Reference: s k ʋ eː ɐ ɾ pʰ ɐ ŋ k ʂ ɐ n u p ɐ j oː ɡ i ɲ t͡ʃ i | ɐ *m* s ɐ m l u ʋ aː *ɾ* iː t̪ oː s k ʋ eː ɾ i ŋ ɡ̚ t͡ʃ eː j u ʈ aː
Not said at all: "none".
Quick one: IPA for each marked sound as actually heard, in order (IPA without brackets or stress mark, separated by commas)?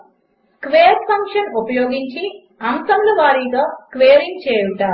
m, ɾ